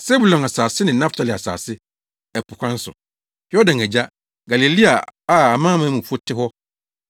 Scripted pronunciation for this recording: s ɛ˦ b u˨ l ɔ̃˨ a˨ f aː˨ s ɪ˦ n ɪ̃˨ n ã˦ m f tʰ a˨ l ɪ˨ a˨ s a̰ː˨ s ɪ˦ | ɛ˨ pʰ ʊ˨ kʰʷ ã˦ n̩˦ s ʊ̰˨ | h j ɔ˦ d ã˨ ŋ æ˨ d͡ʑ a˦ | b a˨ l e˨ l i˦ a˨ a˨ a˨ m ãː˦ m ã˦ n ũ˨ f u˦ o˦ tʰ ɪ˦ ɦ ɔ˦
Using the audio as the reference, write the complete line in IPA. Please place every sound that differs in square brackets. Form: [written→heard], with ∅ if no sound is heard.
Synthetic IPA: s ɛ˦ b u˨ l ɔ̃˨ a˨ [f→s] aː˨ s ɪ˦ n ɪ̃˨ n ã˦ [m→∅] f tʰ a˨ l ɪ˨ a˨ s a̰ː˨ s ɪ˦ | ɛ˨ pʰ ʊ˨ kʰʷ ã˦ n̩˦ s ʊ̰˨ | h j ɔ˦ d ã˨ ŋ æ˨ d͡ʑ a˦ | [b→ɡ] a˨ l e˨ l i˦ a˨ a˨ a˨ m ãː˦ m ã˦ [n→m] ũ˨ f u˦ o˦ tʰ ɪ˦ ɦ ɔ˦